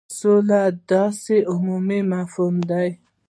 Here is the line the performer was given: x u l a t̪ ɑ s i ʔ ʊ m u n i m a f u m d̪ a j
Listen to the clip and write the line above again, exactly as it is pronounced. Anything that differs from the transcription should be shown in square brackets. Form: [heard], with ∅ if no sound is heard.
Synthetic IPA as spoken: [s] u l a [d̪] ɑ s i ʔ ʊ m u [m] i m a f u m d̪ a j